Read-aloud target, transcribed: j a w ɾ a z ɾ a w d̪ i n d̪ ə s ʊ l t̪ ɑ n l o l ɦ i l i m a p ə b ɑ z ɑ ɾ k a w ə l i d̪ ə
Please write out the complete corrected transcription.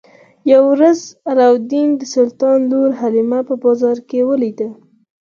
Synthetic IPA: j a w ɾ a z ɾ a w d̪ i n d̪ ə s ʊ l t̪ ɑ n l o ɾ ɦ a l i m a p ə b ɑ z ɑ ɾ k e w ə l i d̪ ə